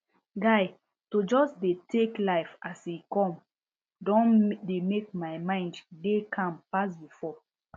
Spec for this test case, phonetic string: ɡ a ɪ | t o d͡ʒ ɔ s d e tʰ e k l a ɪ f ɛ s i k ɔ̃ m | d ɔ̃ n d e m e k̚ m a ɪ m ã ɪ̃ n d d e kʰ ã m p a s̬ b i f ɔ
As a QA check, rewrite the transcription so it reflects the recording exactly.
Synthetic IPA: ɡ a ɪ | t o d͡ʒ ɔ s d e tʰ e k l a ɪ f a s i k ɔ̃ m | d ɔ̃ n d e m e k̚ m a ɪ m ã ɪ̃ n d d e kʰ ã m p a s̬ b i f ɔ